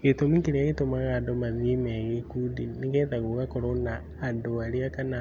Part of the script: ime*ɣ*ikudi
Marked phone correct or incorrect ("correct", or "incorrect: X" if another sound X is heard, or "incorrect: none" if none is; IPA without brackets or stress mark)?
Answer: correct